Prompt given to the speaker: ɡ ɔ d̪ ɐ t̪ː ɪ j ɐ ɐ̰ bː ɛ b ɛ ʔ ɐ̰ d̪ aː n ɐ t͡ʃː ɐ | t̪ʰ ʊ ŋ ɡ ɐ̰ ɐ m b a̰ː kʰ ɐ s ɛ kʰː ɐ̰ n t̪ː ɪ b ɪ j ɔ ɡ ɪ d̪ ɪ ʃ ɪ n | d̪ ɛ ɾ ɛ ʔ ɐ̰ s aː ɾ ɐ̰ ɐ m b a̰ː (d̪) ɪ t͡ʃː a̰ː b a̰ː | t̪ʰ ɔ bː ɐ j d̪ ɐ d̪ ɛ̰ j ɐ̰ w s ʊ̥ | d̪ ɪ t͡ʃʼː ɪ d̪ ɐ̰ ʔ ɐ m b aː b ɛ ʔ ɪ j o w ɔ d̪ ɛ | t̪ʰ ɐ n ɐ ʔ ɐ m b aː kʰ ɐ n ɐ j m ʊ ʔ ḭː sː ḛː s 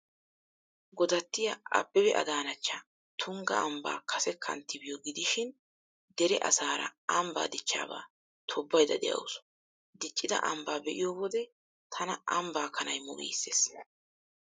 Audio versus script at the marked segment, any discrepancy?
no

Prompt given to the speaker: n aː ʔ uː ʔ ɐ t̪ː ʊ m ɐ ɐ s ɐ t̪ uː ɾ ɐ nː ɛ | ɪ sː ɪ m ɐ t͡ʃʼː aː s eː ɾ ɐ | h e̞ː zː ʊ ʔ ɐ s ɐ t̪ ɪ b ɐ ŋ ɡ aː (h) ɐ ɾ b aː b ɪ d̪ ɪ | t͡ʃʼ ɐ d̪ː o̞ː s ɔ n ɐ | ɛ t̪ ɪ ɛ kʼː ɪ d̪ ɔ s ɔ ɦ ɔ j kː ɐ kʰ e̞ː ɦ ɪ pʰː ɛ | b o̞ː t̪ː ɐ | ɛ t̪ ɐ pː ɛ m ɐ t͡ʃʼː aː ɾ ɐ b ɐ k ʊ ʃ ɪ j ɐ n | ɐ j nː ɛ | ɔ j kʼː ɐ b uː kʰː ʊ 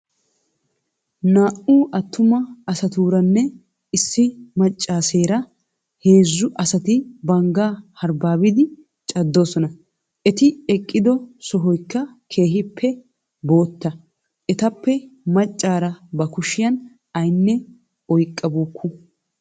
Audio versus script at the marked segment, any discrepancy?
no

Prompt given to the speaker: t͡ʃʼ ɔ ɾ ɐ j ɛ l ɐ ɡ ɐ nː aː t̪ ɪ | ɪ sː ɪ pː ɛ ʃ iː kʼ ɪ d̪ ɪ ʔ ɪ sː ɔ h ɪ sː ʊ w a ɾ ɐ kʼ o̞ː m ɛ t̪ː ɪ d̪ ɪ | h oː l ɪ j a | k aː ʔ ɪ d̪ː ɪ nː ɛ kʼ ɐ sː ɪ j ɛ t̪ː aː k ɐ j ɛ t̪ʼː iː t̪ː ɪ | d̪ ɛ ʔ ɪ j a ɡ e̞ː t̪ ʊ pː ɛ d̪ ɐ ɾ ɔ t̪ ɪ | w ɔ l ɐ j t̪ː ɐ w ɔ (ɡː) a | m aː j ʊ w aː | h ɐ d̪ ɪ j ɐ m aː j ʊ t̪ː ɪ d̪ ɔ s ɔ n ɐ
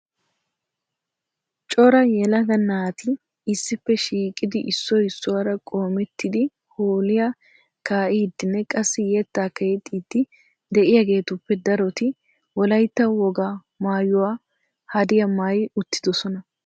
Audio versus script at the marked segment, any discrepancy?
yes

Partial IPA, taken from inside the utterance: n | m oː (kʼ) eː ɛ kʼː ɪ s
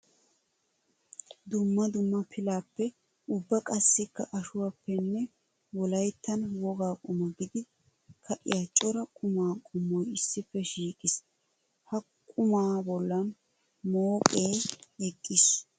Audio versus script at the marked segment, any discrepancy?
no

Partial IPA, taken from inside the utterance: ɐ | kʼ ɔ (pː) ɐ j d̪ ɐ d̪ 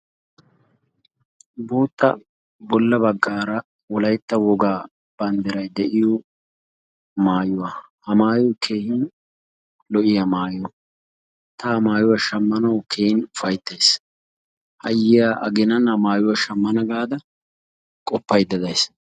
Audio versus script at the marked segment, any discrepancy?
no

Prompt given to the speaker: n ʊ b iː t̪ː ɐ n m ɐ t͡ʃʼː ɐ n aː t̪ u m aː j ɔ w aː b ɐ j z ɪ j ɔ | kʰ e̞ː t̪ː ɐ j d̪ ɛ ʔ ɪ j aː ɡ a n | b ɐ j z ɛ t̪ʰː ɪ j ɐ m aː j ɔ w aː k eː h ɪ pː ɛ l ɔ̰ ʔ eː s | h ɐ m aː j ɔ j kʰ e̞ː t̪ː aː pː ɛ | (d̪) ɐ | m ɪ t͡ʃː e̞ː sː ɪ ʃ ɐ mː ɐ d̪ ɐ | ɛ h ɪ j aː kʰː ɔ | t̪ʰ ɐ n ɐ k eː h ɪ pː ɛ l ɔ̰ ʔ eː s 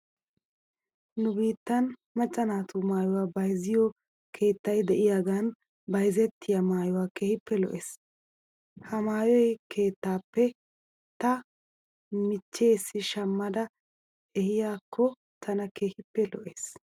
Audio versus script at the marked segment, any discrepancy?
yes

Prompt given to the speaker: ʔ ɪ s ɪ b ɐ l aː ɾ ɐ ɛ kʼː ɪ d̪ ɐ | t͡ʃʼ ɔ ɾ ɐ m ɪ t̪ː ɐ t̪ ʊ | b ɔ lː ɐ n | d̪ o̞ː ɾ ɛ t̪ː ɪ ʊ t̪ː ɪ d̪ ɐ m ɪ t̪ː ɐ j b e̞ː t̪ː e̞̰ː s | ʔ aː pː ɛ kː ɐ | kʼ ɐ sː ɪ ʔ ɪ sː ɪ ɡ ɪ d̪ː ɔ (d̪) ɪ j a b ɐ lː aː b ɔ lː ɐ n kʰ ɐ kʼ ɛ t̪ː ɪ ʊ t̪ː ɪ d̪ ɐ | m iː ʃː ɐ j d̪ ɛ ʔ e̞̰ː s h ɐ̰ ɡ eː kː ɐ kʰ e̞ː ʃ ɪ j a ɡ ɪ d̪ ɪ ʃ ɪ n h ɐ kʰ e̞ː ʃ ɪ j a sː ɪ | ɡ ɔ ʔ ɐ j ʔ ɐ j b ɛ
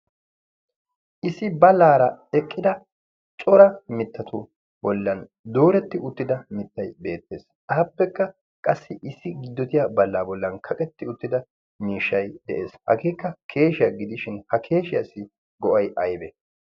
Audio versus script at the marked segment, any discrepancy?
yes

